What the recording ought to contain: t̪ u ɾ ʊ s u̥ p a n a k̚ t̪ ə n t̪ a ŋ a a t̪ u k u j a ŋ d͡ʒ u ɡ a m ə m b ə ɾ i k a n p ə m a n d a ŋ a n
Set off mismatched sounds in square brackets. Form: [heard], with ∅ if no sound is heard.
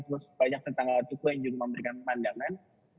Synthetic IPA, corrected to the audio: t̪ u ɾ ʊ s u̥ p a [ɲ] a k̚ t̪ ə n t̪ a ŋ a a t̪ u k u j a ŋ d͡ʒ u ɡ a m ə m b ə ɾ i k a n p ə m a n d a ŋ a n